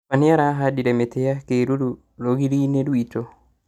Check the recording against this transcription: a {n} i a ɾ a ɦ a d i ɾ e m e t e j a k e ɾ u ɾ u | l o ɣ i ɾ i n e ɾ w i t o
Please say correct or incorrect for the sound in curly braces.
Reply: correct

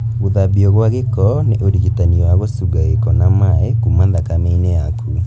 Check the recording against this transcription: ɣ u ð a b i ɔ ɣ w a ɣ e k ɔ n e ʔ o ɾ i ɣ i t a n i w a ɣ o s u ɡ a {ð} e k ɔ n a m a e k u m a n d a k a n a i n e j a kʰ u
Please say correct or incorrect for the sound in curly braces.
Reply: incorrect: ɣ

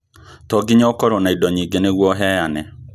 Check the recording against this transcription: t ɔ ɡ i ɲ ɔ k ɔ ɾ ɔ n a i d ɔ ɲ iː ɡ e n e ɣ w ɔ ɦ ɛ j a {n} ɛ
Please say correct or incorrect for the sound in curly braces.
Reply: correct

